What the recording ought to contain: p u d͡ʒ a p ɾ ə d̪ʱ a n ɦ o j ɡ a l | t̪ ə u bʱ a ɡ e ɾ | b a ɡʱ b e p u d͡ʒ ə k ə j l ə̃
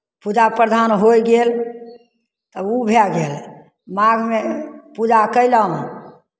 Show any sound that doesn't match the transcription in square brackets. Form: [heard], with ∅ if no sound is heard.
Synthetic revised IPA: p u d͡ʒ a p ɾ ə d̪ʱ a n ɦ o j ɡ [e] l | t̪ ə u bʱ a ɡ e [l] | [m] a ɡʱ [m] e p u d͡ʒ [a] k ə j l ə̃